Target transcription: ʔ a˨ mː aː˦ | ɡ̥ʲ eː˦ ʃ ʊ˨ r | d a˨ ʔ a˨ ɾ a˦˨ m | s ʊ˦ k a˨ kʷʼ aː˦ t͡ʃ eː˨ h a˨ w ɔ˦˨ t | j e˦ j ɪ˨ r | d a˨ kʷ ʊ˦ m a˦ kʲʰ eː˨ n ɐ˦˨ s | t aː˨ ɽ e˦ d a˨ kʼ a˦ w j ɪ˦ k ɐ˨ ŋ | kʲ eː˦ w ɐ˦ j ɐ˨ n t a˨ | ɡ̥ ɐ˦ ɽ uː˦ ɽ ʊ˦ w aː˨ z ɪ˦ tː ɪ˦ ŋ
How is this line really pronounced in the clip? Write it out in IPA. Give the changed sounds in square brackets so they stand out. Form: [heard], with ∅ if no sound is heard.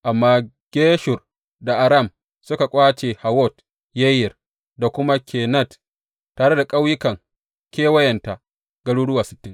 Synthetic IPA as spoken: ʔ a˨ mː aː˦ | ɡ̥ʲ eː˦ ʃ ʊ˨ r | d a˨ ʔ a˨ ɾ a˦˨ m | s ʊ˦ k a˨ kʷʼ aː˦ t͡ʃ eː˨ h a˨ w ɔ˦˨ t | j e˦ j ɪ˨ r | d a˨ kʷ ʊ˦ m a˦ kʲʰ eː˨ n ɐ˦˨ [t] | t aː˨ ɽ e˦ d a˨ kʼ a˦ w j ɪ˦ k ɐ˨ ŋ | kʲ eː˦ w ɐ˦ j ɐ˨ n t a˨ | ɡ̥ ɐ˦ ɽ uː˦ ɽ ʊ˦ w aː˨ [s] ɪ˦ tː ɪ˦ ŋ